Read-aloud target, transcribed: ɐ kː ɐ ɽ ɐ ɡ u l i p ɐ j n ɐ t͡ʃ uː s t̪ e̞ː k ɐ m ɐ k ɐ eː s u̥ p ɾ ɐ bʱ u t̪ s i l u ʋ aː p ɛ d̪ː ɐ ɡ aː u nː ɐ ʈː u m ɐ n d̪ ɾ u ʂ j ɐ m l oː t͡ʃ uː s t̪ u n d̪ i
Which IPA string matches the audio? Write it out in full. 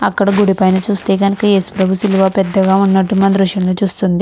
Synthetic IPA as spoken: ɐ kː ɐ ɽ ɐ ɡ u ɽ i p ɐ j n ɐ t͡ʃ uː s t̪ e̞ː k ɐ n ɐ k ɐ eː s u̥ p ɾ ɐ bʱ u s i l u ʋ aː p ɛ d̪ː ɐ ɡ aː u nː ɐ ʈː u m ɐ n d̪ ɾ u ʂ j ɐ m l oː t͡ʃ uː s t̪ u n d̪ i